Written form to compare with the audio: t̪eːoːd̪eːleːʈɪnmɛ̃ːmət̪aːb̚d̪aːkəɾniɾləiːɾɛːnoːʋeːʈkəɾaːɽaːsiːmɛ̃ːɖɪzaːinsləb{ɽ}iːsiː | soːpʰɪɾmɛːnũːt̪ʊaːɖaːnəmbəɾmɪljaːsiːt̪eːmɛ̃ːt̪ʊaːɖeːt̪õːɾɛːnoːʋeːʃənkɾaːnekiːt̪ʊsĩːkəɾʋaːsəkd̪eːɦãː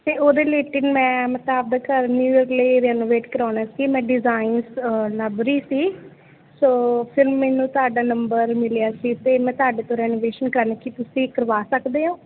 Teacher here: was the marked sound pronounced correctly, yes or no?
no